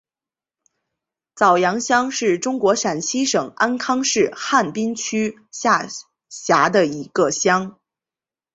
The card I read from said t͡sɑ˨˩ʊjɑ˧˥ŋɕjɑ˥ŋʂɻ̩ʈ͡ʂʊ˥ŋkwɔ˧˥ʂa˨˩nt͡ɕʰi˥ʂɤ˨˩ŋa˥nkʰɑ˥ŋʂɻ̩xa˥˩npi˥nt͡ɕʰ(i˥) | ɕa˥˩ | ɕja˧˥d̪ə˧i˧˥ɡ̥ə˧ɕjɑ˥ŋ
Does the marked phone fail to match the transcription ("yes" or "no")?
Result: yes